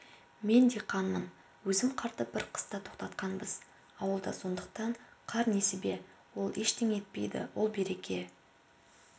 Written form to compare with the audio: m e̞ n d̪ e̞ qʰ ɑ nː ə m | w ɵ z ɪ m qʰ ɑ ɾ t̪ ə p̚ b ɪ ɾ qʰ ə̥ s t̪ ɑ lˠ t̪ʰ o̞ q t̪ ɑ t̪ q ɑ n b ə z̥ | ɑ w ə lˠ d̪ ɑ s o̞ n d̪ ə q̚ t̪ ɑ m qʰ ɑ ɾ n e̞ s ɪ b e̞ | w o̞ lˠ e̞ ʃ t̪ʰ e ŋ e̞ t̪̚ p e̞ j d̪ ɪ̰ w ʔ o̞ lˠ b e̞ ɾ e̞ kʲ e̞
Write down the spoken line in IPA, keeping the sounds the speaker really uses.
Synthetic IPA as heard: m e̞ n d̪ e̞ qʰ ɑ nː ə m | w ɵ z ɪ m qʰ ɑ ɾ t̪ ə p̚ b ɪ ɾ qʰ ə̥ s t̪ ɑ t̪ʰ o̞ q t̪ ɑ t̪ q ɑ n b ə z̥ | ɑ w ə lˠ d̪ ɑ s o̞ n d̪ ə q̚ t̪ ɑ ɴ qʰ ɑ ɾ n e̞ s ɪ b e̞ | w o̞ lˠ e̞ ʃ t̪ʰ e ŋ e̞ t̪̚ p e̞ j d̪ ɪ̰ w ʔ o̞ lˠ b e̞ ɾ e̞ kʲ e̞